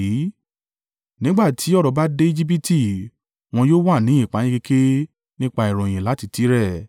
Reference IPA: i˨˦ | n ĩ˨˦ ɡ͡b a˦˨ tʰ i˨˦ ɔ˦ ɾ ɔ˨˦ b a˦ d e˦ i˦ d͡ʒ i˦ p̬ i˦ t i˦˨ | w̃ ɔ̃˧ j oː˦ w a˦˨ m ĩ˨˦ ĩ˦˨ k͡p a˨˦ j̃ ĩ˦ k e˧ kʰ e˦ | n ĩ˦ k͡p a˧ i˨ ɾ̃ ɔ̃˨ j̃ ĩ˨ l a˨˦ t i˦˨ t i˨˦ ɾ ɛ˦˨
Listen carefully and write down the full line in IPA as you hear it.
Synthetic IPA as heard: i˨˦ | n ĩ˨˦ ɡ͡b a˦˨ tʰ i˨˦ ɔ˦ ɾ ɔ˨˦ b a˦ d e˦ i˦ d͡ʒ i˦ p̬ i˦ t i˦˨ | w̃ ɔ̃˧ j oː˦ w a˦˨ n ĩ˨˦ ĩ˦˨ k͡p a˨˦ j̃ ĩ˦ k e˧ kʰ e˦ | n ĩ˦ k͡p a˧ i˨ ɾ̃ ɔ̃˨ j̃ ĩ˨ l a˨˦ t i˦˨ t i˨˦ ɾ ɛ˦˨

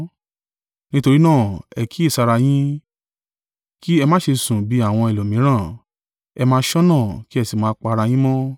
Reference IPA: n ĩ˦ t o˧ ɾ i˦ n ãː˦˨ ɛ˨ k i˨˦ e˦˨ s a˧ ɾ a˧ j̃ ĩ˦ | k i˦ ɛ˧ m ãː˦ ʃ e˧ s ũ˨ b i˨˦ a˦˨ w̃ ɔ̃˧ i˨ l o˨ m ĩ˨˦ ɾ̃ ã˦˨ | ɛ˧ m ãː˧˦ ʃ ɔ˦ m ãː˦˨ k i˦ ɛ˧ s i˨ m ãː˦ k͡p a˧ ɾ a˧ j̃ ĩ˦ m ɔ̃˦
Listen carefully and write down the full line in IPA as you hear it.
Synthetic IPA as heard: n ĩ˦ t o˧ ɾ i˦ n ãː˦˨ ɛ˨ k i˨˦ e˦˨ s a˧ ɾ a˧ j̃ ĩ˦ | k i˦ ɛ˧ m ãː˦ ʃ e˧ s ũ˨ b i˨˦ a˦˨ w̃ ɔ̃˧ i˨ l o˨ m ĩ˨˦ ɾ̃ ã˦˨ | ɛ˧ m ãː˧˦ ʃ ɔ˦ n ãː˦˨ k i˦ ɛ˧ s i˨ m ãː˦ k͡p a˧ ɾ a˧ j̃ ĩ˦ m ɔ̃˦

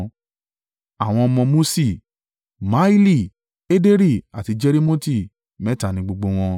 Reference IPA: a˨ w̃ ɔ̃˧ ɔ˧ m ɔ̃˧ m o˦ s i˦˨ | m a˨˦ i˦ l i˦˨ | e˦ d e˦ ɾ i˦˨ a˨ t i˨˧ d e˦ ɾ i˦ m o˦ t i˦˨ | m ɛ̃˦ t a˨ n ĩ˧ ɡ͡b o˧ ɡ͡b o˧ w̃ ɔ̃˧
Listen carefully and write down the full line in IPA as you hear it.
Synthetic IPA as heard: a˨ w̃ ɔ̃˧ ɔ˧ m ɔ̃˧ m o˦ s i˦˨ | m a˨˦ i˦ l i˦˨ | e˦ d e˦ ɾ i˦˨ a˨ t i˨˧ d͡ʒ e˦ ɾ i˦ m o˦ t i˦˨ | m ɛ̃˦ t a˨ n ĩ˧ ɡ͡b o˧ ɡ͡b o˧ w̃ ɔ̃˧

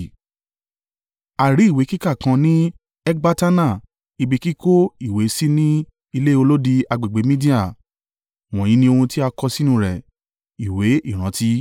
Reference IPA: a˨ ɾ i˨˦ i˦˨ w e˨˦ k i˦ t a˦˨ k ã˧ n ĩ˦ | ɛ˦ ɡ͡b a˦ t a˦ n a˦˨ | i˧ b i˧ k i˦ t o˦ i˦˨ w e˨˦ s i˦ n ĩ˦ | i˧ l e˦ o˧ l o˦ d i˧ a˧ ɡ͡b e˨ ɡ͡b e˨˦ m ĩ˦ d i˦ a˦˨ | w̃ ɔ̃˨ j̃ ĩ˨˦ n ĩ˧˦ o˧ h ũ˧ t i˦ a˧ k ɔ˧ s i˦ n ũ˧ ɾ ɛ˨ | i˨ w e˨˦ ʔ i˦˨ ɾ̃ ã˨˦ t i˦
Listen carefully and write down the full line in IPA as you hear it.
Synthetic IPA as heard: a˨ ɾ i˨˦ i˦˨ w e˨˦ k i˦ k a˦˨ k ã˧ n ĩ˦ | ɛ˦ ɡ͡b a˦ t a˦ n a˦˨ | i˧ b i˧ k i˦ k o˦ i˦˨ w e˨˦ s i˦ n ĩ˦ | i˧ l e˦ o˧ l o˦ d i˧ a˧ ɡ͡b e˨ ɡ͡b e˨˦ m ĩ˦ d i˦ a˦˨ | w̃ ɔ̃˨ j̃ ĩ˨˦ n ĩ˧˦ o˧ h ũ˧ t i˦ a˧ k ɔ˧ s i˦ n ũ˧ ɾ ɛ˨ | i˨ w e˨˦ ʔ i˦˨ ɾ̃ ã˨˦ t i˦

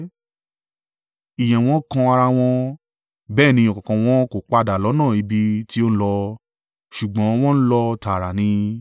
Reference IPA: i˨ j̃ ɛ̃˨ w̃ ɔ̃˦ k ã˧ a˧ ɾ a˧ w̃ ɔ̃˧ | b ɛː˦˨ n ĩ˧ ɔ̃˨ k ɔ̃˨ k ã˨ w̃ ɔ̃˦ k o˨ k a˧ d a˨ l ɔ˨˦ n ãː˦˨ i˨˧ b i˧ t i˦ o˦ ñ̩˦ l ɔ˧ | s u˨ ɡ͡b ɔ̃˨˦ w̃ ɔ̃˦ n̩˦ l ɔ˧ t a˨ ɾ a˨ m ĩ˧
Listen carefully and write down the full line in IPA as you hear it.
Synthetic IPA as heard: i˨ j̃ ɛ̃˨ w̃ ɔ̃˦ k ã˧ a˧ ɾ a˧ w̃ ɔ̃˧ | b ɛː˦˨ n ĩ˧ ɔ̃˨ k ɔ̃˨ k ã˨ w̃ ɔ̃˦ k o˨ k͡p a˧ d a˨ l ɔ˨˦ n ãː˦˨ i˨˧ b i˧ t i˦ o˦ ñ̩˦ l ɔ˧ | ʃ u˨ ɡ͡b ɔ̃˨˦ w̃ ɔ̃˦ n̩˦ l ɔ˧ t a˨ ɾ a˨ n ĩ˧

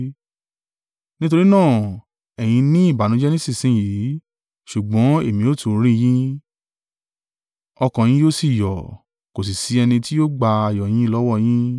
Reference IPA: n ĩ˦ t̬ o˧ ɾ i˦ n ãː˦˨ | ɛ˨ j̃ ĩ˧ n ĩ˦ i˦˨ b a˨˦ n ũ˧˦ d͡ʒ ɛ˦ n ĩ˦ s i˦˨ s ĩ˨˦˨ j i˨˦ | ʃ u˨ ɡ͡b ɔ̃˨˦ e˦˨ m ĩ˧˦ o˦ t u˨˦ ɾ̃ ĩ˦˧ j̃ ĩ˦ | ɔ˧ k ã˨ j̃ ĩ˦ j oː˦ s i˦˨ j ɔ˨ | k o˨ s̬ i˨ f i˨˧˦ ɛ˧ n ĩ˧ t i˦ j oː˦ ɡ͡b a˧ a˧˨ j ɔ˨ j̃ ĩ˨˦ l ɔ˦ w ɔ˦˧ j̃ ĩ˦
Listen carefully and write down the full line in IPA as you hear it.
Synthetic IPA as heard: n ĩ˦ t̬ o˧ ɾ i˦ n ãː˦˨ | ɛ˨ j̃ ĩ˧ n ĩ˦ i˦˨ b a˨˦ n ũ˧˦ d͡ʒ ɛ˦ n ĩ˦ s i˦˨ s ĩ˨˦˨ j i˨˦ | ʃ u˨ ɡ͡b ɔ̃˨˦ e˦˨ m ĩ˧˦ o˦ t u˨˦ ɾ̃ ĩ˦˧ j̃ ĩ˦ | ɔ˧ k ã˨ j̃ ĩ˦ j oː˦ s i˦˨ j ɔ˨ | k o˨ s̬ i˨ s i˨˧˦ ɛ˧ n ĩ˧ t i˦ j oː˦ ɡ͡b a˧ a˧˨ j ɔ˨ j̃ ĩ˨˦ l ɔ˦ w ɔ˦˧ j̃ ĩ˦

